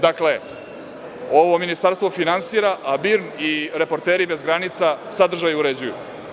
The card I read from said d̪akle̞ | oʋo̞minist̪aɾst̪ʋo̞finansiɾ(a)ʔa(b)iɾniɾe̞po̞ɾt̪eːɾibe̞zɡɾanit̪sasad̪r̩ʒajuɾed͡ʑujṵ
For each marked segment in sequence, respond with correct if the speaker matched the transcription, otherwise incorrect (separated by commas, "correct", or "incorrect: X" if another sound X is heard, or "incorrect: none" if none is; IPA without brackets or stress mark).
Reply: correct, correct